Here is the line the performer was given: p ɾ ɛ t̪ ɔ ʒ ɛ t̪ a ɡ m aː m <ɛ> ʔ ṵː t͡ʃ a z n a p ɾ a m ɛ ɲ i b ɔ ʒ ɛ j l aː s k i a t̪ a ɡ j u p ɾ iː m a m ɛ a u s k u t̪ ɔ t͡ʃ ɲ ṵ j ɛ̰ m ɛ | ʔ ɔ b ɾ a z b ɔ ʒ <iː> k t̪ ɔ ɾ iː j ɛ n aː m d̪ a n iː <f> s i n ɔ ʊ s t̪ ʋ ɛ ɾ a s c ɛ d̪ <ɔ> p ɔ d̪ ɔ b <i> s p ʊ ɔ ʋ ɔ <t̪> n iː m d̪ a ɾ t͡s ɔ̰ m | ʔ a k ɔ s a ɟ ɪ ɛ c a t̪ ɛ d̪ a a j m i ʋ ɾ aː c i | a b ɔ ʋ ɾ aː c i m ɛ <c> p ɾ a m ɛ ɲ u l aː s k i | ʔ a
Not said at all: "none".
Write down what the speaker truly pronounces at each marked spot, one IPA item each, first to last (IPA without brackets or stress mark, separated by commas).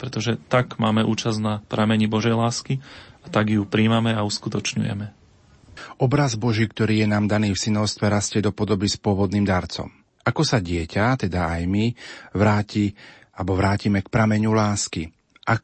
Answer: ɛ, iː, f, ɔ, i, d̪, k